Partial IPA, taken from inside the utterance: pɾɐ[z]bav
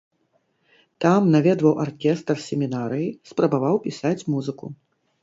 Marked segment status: incorrect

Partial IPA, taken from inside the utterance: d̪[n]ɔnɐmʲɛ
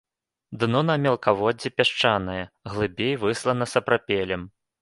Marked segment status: correct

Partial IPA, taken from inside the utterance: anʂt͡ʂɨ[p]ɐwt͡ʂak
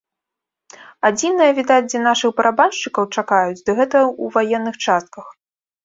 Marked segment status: incorrect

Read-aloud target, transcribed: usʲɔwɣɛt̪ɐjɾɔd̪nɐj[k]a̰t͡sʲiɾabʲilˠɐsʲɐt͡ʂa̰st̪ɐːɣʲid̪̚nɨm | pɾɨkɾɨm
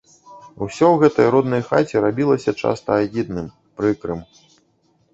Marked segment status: incorrect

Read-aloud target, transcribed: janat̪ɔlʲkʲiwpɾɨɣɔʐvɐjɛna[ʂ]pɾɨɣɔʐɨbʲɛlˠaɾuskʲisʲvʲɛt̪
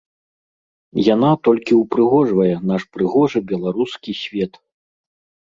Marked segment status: correct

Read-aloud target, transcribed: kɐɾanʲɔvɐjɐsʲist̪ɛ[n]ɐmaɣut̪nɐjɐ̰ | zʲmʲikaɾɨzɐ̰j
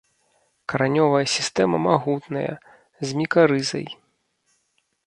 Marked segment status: incorrect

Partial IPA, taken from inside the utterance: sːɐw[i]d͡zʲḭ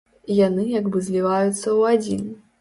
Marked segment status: incorrect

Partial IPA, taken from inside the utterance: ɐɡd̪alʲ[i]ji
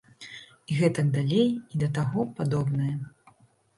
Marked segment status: incorrect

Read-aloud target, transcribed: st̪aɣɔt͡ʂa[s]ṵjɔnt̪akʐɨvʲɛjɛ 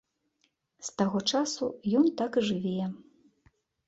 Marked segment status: correct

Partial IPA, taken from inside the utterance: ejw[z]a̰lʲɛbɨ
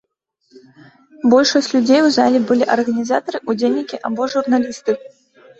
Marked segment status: correct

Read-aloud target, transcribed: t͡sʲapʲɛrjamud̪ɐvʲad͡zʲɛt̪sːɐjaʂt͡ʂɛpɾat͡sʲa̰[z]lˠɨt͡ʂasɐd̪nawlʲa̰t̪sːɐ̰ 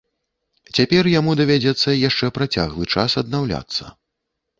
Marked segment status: incorrect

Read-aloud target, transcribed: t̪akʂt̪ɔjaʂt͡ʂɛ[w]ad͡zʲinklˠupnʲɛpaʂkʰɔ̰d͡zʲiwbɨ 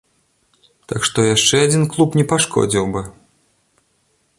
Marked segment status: incorrect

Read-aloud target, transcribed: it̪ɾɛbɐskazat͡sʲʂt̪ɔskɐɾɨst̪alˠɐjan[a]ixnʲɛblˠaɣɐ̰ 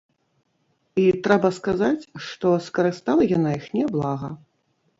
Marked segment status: correct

